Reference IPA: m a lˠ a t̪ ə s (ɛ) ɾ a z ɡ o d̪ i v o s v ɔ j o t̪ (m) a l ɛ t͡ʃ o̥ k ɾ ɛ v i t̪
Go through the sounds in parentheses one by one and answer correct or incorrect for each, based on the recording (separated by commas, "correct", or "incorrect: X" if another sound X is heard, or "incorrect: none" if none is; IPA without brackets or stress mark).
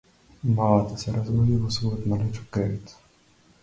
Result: correct, correct